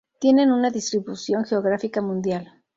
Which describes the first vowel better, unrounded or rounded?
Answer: unrounded